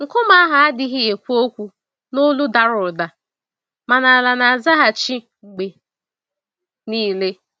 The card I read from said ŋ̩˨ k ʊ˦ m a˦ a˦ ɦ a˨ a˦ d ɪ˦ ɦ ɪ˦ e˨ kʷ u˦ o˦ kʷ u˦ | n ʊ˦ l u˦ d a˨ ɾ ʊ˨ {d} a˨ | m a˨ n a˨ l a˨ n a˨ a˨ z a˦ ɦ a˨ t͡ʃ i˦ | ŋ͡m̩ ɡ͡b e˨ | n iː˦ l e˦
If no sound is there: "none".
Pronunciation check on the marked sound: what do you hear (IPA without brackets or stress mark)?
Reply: d